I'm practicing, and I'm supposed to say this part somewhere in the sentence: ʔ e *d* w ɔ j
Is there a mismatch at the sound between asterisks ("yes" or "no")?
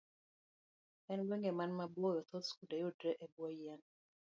yes